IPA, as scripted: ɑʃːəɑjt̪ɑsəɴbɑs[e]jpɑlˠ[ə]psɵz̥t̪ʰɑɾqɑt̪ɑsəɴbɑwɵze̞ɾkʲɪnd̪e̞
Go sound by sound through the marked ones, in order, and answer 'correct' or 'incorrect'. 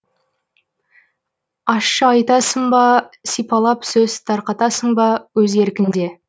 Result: incorrect, incorrect

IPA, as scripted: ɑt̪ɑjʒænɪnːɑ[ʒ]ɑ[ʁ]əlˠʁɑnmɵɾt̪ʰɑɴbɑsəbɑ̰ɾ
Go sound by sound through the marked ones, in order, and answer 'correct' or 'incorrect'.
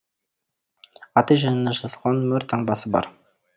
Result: correct, incorrect

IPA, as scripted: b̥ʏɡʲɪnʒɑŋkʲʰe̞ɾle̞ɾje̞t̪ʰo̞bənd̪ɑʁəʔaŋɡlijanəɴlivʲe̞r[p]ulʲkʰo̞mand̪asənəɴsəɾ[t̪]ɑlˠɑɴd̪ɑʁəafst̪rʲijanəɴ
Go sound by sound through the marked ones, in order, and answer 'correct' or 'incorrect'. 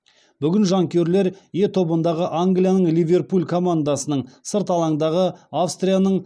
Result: correct, correct

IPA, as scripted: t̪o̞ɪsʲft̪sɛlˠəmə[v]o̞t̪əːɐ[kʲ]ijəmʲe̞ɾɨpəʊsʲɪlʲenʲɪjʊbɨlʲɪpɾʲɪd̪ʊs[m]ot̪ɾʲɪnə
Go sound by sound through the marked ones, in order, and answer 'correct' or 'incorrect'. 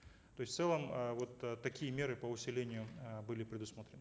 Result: correct, correct, correct

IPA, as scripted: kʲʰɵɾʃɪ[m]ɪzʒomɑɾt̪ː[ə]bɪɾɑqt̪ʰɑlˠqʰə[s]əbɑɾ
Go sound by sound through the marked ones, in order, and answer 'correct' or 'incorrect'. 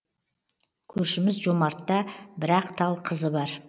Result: correct, incorrect, incorrect

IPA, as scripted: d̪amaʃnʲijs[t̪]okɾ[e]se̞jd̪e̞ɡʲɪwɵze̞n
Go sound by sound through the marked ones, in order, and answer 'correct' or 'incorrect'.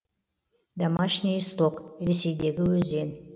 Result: correct, correct

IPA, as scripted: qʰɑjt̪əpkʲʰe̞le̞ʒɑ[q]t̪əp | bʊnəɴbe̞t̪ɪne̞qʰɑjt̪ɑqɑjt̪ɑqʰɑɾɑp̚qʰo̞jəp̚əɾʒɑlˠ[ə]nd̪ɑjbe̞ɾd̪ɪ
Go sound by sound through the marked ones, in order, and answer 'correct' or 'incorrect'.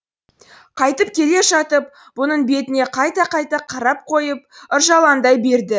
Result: incorrect, incorrect

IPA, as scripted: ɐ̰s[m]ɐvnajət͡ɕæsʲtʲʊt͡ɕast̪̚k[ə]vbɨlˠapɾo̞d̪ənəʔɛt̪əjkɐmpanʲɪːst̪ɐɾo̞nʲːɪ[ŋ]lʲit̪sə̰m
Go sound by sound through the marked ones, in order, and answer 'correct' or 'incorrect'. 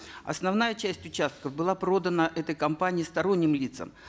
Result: incorrect, correct, incorrect

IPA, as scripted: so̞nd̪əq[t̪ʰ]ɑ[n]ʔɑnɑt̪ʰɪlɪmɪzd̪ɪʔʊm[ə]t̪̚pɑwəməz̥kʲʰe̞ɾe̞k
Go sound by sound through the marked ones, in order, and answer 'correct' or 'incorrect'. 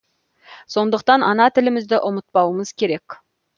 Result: incorrect, correct, correct

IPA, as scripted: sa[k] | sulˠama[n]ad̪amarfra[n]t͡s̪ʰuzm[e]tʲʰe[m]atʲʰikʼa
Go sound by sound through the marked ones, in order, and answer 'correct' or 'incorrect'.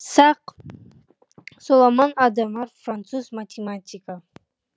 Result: incorrect, correct, correct, incorrect, correct

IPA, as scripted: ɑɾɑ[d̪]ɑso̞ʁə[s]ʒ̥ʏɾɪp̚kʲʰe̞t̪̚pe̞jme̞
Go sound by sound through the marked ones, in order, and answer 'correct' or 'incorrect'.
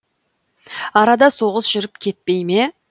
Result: correct, correct

